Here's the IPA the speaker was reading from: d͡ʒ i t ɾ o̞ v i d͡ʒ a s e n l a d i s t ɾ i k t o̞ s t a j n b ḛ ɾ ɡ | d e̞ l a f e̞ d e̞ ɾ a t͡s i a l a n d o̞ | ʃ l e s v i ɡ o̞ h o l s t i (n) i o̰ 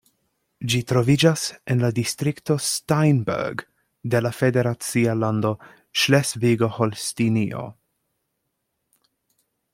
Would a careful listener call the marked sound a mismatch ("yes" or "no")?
no